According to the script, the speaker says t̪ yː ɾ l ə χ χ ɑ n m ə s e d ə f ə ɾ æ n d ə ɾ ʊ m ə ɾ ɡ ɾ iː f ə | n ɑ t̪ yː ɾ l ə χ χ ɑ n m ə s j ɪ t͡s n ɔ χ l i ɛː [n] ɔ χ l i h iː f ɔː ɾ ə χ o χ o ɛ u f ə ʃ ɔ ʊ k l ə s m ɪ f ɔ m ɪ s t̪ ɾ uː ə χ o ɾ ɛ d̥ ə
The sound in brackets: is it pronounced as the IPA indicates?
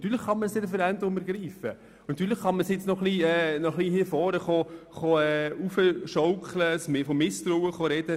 yes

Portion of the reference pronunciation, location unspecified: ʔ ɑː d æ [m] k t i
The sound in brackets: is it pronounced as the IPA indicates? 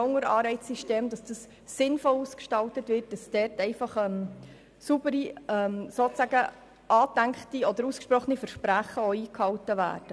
no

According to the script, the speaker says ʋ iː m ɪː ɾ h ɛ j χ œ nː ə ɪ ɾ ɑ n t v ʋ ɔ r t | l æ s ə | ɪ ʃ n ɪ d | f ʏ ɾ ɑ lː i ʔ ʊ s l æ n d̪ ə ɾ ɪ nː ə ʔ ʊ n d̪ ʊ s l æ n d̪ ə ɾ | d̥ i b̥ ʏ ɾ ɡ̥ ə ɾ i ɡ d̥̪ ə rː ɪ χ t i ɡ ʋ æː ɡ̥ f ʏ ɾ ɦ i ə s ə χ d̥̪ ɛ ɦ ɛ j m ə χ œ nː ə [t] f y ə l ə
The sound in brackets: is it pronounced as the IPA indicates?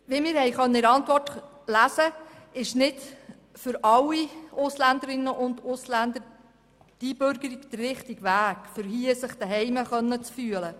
no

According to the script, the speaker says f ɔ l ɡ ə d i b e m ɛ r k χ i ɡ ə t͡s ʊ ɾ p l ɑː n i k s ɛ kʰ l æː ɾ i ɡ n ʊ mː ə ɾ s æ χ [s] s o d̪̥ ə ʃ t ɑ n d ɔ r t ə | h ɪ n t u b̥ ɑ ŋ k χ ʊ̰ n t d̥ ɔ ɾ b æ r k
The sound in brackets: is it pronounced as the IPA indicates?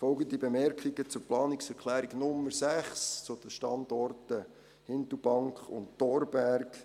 yes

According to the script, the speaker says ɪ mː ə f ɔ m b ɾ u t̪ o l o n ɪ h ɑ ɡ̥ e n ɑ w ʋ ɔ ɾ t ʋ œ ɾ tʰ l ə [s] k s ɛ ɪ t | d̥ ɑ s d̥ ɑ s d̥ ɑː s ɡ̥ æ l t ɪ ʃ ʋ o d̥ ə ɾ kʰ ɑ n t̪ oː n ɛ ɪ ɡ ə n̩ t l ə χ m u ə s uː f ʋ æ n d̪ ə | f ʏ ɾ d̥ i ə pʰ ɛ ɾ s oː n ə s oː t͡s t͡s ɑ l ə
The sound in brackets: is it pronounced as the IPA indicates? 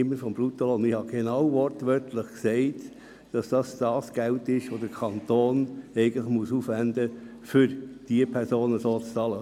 no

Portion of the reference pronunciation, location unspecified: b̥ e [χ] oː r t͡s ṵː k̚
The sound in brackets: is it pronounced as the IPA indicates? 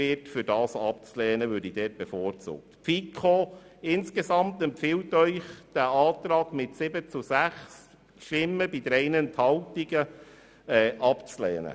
no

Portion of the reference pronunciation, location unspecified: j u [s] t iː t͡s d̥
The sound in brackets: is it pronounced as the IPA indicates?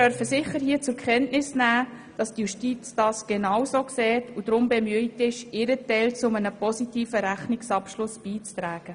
no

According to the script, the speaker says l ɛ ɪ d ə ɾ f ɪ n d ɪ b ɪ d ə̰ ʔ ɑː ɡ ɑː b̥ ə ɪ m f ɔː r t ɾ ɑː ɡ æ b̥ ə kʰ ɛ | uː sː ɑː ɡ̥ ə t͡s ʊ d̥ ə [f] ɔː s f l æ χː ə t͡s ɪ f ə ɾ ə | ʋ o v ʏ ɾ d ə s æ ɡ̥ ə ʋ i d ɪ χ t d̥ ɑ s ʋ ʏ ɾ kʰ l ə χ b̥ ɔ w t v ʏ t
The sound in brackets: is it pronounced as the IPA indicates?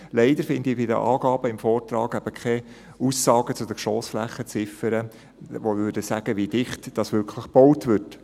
no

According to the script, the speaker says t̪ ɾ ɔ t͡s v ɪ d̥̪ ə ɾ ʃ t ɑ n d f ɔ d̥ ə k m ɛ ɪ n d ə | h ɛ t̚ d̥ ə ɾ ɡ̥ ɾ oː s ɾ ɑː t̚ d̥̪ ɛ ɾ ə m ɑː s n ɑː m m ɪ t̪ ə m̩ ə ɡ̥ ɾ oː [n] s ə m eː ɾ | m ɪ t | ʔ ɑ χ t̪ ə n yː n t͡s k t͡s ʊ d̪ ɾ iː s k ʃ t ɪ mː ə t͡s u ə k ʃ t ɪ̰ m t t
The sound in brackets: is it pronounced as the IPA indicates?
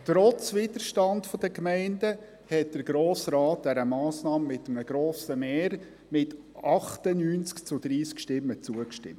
no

